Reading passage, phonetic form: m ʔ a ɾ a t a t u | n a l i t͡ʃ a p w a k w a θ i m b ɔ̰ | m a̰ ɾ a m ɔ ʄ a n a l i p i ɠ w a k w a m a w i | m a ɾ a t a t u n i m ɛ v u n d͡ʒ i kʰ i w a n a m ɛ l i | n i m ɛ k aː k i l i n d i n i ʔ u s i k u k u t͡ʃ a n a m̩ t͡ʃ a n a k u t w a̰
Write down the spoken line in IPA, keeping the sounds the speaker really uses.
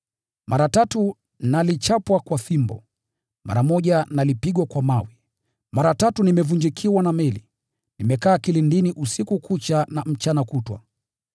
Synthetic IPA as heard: m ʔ a ɾ a t a t u | n a l i t͡ʃ a p w a k w a θ i m b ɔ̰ | m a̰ ɾ a m ɔ ʄ a n a l i p i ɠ w a k w a m a w i | m a ɾ a t a t u n i m ɛ v u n d͡ʒ i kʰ i w a n a m ɛ l i | n i m ɛ k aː k i l i n d i n i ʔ u s i k u k u t͡ʃ a n a m̩ t͡ʃ a n a k u t w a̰